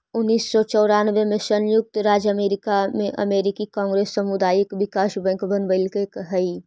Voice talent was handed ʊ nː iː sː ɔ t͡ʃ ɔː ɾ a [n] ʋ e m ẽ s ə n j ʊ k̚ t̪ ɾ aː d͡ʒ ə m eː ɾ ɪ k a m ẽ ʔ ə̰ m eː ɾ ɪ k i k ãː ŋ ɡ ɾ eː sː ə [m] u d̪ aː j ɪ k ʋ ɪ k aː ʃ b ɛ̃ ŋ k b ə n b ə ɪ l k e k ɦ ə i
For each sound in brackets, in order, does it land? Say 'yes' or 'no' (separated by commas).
yes, yes